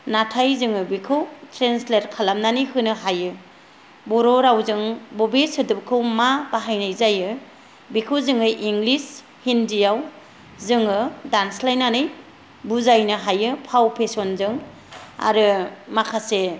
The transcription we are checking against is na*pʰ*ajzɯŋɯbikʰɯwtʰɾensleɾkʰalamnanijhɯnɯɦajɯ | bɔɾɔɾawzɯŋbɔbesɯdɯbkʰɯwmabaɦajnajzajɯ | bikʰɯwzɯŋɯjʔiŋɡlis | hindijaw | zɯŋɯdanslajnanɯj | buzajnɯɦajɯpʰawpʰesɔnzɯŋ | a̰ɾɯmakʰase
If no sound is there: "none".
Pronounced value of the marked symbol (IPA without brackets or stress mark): tʰ